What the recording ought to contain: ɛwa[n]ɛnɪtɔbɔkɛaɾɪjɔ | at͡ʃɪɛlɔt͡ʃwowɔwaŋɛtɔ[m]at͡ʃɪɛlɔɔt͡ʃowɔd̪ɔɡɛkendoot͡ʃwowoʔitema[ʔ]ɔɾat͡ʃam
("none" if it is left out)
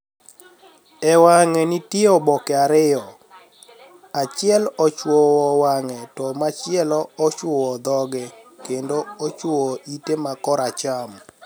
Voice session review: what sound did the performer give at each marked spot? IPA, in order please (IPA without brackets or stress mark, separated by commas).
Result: ŋ, m, k